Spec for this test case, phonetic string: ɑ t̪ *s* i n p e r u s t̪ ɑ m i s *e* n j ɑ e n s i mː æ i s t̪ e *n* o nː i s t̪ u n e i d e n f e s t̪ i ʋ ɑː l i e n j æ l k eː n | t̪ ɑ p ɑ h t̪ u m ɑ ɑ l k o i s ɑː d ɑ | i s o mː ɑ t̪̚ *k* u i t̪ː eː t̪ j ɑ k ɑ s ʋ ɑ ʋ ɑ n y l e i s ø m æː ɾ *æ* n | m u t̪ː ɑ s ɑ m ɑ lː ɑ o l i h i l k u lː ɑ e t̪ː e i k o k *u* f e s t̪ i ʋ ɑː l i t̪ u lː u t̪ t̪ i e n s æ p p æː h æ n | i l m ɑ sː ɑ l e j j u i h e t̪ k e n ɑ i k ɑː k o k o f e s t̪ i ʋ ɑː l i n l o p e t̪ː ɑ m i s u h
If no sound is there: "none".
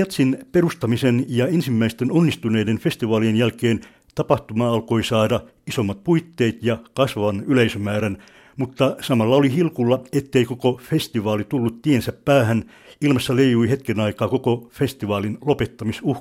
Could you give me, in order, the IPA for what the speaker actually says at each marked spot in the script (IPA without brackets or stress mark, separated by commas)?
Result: s, e, n, p, æ, o